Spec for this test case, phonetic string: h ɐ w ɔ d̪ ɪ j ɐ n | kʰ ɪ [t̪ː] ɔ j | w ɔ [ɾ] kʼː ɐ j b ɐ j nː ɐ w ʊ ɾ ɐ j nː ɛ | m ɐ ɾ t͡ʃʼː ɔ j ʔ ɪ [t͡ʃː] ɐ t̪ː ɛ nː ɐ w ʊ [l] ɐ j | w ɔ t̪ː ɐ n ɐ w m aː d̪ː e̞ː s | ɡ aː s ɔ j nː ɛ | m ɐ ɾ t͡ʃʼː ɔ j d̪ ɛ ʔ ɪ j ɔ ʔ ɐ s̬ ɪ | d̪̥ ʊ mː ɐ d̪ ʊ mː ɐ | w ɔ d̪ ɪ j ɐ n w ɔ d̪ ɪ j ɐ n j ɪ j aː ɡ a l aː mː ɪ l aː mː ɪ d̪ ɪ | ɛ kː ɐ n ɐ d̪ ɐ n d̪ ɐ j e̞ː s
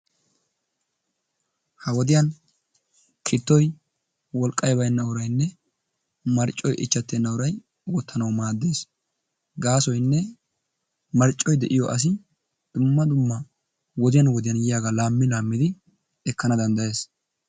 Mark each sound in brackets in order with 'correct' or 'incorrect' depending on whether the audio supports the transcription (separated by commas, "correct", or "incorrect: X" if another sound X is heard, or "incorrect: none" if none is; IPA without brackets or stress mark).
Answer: correct, incorrect: l, correct, incorrect: ɾ